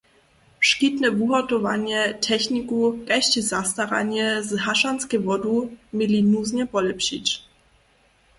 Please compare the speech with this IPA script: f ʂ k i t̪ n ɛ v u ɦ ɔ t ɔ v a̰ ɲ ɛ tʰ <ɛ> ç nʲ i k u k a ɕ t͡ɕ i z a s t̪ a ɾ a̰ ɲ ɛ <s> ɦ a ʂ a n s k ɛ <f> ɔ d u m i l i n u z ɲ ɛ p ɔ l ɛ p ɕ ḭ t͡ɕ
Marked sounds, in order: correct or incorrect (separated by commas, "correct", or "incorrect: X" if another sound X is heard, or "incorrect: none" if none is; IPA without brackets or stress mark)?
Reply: correct, incorrect: z, incorrect: v